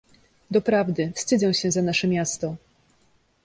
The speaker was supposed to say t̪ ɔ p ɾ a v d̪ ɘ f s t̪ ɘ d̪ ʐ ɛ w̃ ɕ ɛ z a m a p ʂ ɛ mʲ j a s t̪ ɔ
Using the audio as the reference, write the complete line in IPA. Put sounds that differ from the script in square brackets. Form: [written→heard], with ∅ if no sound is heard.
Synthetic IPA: [t̪→d̪] ɔ p ɾ a v d̪ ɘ f s t̪ ɘ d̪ [ʐ→z] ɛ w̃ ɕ ɛ z a [m→n] a [p→∅] ʂ ɛ mʲ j a s t̪ ɔ